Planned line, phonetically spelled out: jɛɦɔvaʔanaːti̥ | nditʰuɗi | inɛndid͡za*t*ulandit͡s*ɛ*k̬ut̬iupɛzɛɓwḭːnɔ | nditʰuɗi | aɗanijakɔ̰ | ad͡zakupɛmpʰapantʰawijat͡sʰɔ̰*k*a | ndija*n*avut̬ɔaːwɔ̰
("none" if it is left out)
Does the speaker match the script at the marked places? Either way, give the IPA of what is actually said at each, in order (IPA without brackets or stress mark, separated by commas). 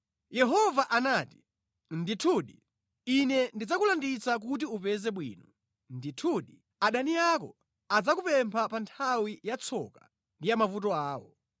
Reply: k, a, k, m